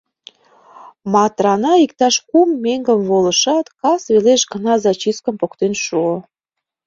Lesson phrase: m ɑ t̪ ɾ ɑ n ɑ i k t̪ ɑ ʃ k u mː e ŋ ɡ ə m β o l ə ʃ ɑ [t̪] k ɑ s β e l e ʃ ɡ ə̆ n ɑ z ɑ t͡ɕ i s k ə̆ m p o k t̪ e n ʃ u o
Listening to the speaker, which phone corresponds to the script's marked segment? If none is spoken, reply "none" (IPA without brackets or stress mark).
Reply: t̪